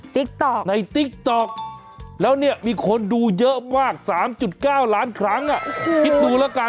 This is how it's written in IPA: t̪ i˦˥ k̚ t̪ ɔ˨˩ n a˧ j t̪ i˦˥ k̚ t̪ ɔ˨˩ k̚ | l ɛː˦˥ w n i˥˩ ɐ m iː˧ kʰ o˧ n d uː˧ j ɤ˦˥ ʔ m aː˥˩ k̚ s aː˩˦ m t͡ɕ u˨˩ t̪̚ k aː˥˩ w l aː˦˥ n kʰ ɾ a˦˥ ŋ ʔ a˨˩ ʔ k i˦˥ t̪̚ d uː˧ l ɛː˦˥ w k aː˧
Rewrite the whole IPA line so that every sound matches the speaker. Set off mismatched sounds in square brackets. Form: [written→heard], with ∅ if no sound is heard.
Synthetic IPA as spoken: t̪ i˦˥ k̚ t̪ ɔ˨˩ n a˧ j t̪ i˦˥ k̚ t̪ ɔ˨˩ k̚ | l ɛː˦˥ w n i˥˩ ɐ m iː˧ kʰ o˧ n d uː˧ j ɤ˦˥ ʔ m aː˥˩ k̚ s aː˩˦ m t͡ɕ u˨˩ t̪̚ k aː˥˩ w l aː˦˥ n kʰ ɾ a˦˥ ŋ ʔ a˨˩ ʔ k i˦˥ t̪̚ d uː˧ l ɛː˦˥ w k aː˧